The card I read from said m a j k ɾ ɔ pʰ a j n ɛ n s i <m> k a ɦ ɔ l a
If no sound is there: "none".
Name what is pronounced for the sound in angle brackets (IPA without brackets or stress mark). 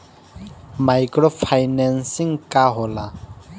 ŋ